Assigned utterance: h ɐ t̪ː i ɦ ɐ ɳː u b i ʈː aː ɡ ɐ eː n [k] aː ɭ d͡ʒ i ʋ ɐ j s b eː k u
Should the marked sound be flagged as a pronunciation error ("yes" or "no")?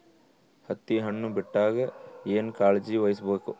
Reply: no